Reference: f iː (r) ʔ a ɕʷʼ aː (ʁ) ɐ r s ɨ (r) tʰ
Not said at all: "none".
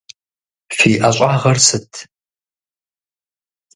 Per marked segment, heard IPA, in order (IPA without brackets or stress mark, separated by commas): none, ʁ, none